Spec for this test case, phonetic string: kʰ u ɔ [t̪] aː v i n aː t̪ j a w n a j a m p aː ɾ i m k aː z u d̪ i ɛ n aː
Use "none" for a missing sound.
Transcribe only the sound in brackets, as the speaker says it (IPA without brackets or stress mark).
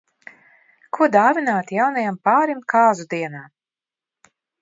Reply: d̪